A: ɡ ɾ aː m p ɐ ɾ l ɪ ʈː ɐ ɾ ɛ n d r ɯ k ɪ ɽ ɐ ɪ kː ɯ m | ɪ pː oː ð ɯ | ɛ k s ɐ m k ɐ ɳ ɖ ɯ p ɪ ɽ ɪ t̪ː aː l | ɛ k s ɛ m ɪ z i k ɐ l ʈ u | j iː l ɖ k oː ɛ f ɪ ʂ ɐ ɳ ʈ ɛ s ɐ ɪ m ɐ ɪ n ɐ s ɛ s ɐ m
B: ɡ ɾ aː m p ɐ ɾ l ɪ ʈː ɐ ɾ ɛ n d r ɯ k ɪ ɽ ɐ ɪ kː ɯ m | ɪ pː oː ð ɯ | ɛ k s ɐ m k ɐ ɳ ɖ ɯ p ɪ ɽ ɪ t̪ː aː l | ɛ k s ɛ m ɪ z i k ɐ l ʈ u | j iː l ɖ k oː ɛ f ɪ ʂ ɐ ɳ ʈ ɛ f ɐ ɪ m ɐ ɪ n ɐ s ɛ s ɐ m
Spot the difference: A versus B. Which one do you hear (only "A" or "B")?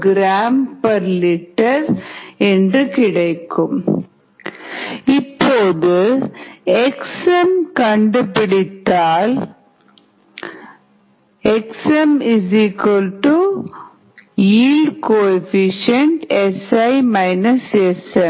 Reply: A